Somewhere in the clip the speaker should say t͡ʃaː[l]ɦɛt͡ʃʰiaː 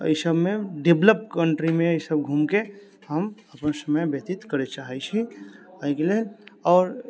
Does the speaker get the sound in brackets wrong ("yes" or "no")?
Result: yes